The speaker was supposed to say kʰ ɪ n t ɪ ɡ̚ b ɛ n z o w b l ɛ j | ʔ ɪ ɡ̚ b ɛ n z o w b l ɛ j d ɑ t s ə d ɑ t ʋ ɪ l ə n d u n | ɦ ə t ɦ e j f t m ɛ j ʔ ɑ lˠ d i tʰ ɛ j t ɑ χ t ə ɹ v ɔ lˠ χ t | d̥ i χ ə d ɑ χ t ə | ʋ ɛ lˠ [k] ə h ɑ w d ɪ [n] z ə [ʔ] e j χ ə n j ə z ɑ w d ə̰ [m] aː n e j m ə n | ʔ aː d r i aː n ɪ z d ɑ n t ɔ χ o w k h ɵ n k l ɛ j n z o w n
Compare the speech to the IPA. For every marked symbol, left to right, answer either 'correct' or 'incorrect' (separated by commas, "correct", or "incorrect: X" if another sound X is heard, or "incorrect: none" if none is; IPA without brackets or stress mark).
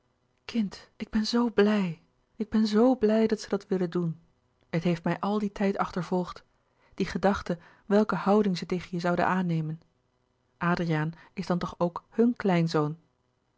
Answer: correct, incorrect: ŋ, incorrect: t, incorrect: n